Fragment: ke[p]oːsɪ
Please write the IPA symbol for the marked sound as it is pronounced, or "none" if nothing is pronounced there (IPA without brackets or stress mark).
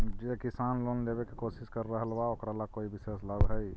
k